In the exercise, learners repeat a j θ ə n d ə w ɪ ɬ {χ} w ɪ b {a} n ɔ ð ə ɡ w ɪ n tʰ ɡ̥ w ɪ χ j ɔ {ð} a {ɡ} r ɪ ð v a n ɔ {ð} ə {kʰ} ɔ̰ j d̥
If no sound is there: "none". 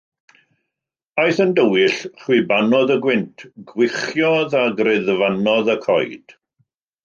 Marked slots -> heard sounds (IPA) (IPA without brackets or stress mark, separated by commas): χ, a, ð, ɡ, ð, kʰ